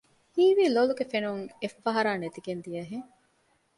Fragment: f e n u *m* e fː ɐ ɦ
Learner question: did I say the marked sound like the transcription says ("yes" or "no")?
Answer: no